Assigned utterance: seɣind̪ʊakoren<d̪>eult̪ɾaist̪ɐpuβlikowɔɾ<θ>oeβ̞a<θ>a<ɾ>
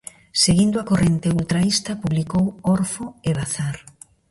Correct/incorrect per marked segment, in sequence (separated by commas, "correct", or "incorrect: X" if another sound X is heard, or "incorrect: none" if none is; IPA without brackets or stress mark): incorrect: t̪, incorrect: f, correct, correct